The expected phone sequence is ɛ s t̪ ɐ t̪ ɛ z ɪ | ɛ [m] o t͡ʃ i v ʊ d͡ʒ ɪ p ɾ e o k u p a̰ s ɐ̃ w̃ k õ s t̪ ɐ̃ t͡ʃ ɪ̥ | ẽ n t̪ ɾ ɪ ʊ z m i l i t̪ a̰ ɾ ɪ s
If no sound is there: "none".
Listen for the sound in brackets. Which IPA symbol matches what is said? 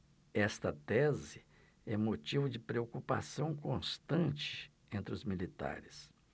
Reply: m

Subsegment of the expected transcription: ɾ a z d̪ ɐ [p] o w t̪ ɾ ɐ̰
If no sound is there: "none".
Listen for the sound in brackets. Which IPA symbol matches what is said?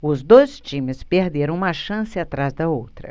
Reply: none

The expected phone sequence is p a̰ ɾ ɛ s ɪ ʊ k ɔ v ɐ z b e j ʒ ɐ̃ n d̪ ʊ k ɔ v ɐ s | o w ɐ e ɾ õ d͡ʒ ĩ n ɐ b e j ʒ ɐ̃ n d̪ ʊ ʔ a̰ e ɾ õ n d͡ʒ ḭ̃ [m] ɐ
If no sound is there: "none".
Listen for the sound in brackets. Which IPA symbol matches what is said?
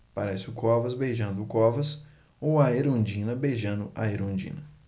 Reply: n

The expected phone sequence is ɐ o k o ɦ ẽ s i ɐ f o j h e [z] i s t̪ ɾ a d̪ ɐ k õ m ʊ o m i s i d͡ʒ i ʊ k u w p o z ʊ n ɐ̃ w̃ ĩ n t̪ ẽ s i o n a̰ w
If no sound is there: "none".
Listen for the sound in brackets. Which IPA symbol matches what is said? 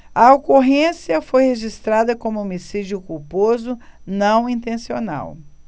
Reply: ʒ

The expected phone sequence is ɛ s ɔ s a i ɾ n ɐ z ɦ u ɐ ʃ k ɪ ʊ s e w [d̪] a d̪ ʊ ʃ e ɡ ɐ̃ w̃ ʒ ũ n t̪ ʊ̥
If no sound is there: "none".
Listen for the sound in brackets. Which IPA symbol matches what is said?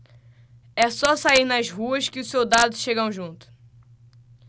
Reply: d̪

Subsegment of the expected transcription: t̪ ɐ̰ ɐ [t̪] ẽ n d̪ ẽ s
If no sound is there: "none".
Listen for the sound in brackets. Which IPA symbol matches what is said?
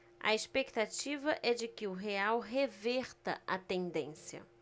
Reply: t̪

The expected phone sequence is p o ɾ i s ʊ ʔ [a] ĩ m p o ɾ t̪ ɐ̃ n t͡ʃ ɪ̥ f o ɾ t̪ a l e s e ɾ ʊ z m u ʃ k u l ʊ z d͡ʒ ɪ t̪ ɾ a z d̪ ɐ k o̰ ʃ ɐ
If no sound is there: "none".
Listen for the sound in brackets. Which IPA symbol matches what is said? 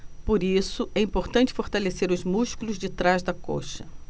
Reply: ɛ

